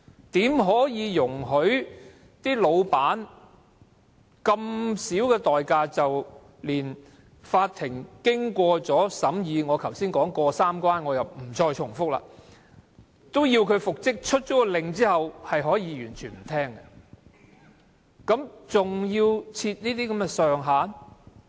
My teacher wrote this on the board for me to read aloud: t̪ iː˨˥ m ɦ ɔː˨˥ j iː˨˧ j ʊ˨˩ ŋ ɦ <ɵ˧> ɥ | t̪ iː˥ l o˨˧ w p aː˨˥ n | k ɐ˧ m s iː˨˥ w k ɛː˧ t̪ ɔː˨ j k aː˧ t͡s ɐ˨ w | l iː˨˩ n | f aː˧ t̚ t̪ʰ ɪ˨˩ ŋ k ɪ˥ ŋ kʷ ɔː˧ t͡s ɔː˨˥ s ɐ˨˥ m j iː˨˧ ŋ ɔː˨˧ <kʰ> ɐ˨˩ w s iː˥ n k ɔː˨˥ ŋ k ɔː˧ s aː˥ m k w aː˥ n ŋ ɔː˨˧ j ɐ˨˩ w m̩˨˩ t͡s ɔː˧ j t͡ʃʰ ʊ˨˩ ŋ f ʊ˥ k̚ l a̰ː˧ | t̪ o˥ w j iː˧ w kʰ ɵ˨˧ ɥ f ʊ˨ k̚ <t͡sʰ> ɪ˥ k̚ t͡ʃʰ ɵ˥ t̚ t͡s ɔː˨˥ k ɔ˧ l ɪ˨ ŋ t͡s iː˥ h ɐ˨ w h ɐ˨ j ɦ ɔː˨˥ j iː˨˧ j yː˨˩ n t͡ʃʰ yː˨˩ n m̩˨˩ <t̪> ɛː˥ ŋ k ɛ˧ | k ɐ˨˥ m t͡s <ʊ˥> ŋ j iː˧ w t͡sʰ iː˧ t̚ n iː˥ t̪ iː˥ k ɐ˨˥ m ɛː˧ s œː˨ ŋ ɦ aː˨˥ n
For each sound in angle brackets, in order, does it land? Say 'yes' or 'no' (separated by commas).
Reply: no, yes, no, no, no